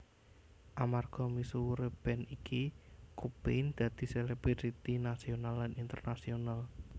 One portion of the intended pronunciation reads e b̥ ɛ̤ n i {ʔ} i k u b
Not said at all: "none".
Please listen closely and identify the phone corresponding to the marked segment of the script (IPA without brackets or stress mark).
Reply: k